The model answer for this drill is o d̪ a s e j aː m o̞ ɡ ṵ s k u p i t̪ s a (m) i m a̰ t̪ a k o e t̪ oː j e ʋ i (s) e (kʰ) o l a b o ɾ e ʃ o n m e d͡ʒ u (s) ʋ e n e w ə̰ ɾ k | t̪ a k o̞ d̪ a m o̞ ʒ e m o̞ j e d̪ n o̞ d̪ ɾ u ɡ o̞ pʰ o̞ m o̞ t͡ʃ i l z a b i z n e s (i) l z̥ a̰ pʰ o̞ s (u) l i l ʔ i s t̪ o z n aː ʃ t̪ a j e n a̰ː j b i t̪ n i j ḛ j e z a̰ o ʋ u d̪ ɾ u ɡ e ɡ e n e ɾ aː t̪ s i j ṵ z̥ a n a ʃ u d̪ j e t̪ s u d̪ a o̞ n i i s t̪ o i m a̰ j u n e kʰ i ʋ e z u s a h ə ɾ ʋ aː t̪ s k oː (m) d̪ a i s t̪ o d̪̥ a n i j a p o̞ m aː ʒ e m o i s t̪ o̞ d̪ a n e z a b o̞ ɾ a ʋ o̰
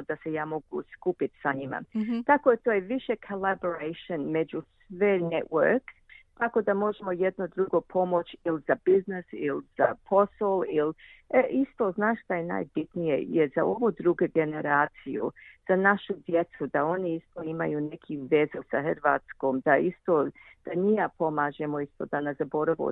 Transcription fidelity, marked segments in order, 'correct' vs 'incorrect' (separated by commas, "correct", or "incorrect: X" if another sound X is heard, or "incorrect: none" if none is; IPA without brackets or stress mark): incorrect: ɲ, incorrect: ʃ, correct, correct, correct, incorrect: o, correct